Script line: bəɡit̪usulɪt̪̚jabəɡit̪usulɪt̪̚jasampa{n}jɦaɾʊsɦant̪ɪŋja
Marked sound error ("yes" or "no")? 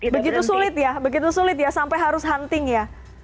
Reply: yes